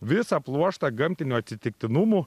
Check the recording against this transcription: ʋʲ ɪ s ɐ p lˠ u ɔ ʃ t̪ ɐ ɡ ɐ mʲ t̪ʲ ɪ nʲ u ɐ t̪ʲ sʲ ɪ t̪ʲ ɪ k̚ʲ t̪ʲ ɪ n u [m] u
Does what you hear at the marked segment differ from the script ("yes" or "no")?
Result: no